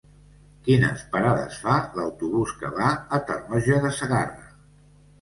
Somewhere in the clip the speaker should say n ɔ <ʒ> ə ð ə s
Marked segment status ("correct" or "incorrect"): correct